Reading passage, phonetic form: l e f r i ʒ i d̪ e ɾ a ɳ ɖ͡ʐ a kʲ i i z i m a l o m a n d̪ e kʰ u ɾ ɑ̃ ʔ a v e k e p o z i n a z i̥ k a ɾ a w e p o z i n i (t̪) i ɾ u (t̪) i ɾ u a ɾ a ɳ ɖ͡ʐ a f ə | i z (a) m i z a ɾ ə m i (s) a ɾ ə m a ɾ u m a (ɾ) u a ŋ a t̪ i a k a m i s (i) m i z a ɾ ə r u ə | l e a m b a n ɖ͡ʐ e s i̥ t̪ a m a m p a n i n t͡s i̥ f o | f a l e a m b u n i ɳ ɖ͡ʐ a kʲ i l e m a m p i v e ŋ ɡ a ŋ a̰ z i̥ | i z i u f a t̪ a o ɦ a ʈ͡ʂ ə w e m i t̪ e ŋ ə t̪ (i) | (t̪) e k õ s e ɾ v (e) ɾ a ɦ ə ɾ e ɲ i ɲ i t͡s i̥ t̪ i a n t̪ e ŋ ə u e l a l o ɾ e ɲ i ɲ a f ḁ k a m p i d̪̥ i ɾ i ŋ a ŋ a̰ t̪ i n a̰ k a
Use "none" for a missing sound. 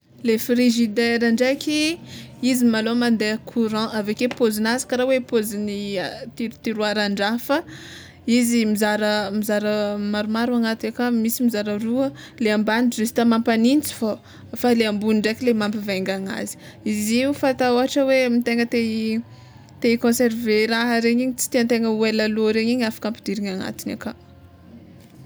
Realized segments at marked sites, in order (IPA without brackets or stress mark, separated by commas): t̪, t̪, i, z, ɾ, i, e, t̪, e